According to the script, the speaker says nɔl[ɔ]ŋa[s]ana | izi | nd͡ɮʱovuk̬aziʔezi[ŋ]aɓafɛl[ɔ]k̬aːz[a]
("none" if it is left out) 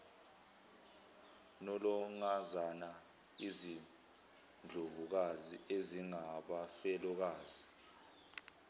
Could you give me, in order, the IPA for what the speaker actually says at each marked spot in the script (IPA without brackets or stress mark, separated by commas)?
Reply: ɔ, z, ŋ, ɔ, i